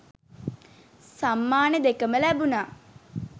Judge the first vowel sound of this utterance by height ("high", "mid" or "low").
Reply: low